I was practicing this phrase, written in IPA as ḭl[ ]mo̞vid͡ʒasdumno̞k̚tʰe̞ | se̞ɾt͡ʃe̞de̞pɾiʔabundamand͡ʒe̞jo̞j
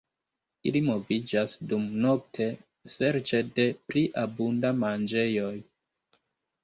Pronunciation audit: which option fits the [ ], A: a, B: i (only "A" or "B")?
B